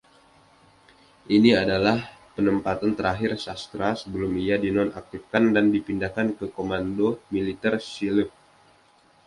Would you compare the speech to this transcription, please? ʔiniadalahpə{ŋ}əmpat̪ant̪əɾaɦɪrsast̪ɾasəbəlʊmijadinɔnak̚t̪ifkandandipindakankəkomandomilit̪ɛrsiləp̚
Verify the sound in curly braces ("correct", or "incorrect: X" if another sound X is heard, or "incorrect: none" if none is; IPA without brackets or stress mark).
incorrect: n